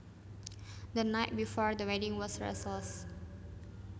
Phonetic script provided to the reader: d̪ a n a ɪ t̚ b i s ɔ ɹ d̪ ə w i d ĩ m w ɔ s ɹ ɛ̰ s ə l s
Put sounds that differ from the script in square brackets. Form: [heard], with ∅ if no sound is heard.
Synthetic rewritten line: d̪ [ə] n a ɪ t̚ b i [f] ɔ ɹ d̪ ə w [ɛ] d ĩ [ŋ] w ɔ s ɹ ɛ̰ s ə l s